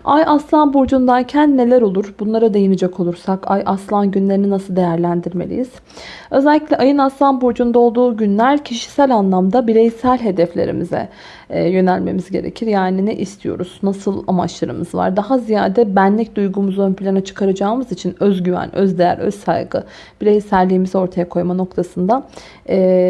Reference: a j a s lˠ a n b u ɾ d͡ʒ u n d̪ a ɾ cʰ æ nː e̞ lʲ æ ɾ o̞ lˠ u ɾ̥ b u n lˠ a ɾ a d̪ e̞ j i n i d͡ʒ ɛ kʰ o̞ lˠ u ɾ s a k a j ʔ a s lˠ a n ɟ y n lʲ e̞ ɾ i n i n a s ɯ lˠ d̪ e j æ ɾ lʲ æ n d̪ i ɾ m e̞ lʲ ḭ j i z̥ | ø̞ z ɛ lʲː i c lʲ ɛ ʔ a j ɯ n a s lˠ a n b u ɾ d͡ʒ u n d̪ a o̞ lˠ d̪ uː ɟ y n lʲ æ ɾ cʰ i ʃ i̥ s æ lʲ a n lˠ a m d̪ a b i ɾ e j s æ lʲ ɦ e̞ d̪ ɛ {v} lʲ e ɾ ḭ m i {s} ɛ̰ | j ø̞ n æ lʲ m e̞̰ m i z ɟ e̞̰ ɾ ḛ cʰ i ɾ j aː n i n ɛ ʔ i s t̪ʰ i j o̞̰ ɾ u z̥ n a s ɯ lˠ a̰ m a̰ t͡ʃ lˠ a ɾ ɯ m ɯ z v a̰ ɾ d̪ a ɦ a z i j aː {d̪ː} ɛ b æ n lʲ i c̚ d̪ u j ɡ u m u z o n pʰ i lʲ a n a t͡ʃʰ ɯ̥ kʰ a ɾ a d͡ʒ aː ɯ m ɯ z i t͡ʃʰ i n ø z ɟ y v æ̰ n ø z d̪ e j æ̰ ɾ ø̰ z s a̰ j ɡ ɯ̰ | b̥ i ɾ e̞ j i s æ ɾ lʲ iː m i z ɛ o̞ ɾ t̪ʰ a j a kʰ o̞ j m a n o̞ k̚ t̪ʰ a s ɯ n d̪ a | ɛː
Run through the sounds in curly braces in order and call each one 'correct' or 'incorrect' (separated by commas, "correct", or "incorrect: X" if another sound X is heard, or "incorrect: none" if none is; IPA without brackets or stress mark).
incorrect: f, incorrect: z, incorrect: d̪